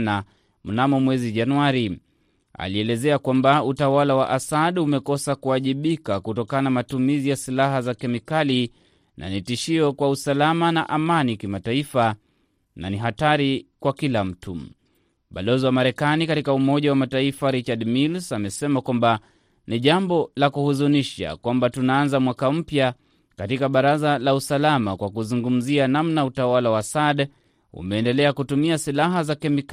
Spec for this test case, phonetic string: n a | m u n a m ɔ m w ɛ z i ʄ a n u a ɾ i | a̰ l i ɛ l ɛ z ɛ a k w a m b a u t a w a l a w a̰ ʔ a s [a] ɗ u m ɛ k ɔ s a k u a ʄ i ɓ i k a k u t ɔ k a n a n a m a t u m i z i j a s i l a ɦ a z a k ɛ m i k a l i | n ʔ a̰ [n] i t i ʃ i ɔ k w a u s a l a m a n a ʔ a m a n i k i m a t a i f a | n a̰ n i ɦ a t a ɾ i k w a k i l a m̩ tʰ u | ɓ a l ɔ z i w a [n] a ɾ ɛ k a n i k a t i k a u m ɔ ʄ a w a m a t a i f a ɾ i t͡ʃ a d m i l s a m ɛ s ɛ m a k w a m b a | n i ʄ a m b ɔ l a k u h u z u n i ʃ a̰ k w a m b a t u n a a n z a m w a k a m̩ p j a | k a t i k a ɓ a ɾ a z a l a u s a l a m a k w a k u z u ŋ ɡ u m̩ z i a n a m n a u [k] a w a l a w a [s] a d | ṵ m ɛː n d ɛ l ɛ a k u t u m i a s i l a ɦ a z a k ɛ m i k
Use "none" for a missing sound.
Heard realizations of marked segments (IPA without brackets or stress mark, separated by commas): a, n, m, t, s